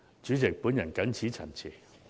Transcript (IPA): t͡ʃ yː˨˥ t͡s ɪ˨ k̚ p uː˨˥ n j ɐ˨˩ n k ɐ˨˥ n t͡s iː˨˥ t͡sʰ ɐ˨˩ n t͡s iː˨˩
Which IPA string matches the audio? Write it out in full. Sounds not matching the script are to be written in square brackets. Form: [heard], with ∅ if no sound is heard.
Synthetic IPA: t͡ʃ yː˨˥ t͡s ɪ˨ k̚ p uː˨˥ n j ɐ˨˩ n k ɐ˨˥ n [t͡sʰ] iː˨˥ t͡sʰ ɐ˨˩ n [t͡sʰ] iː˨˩